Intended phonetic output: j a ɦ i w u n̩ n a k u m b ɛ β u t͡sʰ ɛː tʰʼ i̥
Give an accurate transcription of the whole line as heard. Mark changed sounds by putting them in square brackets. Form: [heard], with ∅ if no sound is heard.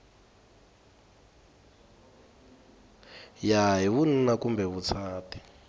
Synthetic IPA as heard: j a ɦ i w u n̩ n a k u m b ɛ β u t͡sʰ [aː] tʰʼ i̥